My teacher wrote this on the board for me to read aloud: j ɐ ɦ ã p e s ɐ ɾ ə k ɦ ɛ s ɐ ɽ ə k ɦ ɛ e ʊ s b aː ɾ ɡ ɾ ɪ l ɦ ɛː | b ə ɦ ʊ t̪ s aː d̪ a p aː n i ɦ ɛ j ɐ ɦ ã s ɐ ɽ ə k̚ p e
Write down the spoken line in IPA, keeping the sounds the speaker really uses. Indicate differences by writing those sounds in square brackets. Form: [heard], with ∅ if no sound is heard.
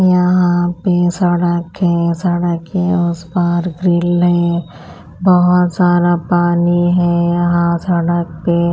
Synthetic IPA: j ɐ ɦ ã p e s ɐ [ɽ] ə k ɦ ɛ s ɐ ɽ ə k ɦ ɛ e ʊ s b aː ɾ ɡ ɾ ɪ l ɦ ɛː | b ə ɦ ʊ t̪ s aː d̪ a p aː n i ɦ ɛ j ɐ ɦ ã s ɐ ɽ ə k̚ p e